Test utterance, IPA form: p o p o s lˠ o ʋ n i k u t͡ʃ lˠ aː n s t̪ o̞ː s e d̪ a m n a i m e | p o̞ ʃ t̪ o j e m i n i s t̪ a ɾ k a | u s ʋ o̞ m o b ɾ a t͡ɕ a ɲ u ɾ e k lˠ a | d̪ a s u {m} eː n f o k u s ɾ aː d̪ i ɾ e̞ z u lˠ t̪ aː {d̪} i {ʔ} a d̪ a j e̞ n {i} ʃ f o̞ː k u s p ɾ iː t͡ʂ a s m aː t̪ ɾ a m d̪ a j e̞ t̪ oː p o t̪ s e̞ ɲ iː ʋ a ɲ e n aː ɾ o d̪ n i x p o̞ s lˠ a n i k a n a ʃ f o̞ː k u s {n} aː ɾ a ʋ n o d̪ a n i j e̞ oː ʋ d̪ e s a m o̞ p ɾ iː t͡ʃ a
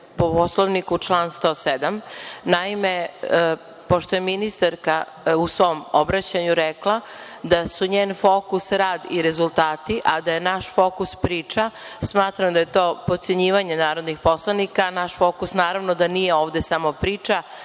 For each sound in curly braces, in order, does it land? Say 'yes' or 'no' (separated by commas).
no, no, yes, no, yes